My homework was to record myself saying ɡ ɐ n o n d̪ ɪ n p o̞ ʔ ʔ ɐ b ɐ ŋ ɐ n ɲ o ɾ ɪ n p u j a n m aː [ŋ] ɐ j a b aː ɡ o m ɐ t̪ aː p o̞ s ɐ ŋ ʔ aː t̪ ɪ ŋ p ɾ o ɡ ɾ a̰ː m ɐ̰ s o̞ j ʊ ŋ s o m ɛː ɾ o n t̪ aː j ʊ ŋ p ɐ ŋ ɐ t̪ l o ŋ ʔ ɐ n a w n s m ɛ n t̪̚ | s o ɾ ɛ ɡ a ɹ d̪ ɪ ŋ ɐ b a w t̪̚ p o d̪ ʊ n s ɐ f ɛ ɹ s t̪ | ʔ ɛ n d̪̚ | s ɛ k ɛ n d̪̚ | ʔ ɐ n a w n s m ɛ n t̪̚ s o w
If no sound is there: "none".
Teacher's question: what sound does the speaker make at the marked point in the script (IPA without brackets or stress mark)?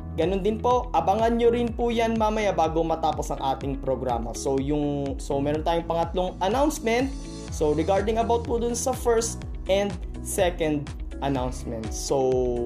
m